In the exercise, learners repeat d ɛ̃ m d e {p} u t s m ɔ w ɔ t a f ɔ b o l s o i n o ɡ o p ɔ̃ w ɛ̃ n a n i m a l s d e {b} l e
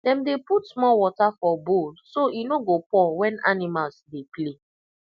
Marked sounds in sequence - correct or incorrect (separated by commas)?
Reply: correct, incorrect